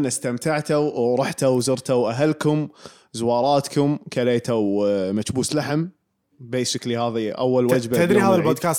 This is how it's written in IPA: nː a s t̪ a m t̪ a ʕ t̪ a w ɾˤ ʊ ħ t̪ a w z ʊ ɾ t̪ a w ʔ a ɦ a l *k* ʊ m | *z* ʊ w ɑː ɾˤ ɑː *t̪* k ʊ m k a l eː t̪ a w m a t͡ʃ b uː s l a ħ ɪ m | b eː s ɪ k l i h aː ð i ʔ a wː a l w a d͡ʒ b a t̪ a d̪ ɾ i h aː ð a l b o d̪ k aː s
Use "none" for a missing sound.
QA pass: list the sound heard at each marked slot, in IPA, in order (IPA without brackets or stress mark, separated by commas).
k, z, t̪